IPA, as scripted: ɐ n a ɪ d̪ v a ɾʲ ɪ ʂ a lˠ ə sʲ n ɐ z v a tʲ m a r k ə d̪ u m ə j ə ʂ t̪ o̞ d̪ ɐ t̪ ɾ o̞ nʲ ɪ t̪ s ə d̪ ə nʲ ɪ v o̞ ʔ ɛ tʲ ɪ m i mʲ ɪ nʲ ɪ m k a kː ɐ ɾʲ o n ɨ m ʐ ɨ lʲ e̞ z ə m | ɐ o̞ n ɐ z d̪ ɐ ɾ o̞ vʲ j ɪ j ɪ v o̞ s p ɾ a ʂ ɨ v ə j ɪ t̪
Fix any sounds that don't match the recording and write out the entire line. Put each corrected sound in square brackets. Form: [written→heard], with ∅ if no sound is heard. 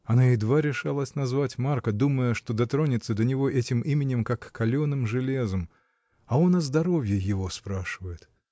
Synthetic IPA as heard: ɐ n a ɪ d̪ v a ɾʲ ɪ ʂ a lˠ ə sʲ n ɐ z v a tʲ m a r k ə d̪ u m ə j ə ʂ t̪ o̞ d̪ ɐ t̪ ɾ o̞ nʲ ɪ t̪ s ə d̪ ə nʲ ɪ v o̞ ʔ ɛ tʲ ɪ m i mʲ ɪ nʲ ɪ m k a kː ɐ [ɾʲ→lʲ] o n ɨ m ʐ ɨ lʲ e̞ z ə m | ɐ o̞ n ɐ z d̪ ɐ ɾ o̞ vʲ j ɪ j ɪ v o̞ s p ɾ a ʂ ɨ v ə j ɪ t̪